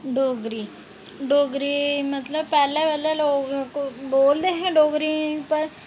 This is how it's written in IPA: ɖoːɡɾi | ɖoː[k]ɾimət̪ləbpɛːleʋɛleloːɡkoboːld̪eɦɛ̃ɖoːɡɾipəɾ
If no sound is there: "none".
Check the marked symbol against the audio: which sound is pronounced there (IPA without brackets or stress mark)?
ɡ